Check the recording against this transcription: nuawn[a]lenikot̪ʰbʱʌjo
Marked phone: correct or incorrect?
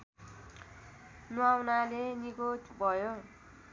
correct